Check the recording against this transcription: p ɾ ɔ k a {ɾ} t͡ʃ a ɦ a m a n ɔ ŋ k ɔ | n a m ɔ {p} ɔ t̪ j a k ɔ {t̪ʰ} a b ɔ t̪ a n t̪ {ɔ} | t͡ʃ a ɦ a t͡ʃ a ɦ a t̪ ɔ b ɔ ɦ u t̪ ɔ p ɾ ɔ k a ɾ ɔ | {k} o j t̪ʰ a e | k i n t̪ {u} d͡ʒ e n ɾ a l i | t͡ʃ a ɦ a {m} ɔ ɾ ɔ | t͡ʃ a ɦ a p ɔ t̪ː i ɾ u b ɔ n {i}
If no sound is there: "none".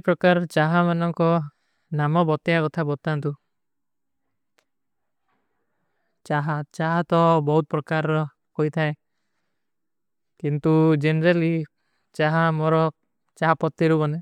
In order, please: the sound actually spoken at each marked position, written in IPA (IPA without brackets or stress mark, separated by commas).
ɾ, b, t̪ʰ, u, k, u, m, e